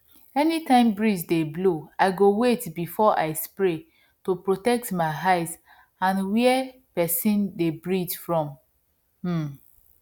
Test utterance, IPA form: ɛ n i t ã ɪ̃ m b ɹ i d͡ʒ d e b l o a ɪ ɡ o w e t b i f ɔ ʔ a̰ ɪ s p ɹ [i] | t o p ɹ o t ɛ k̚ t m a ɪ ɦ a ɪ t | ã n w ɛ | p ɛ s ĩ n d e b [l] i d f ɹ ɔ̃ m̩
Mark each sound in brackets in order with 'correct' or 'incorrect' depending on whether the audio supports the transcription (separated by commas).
incorrect, incorrect